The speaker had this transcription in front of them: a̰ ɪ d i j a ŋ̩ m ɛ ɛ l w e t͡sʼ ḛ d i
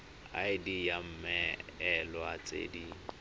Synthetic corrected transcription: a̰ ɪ d i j a m̩ m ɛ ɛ l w a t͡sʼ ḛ d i